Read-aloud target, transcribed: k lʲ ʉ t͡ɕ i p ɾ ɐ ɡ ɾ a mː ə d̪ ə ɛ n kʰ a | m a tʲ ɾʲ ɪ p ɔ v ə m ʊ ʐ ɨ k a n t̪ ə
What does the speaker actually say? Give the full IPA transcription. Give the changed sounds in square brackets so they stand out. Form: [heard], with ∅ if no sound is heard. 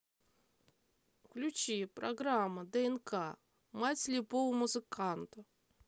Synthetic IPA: k lʲ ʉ t͡ɕ i p ɾ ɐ ɡ ɾ a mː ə d̪ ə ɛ n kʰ a | m a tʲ [lʲ] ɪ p [o] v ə m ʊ [z] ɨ k a n t̪ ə